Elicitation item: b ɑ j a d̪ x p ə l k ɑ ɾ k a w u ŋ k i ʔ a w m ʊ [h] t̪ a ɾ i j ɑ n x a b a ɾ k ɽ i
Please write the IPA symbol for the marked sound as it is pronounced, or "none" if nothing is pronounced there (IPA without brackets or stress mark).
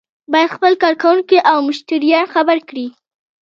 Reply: ʃ